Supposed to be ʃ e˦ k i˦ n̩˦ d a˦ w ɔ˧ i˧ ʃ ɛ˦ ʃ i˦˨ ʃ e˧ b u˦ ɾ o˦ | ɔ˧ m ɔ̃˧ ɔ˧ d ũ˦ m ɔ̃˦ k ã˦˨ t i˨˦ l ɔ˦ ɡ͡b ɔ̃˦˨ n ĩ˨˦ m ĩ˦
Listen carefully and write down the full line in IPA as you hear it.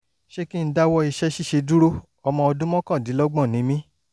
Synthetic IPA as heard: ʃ e˦ k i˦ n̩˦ d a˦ w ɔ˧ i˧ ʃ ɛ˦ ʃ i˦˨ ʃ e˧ d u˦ ɾ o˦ | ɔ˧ m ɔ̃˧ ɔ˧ d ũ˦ m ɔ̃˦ k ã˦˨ d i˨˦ l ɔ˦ ɡ͡b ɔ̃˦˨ n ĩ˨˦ m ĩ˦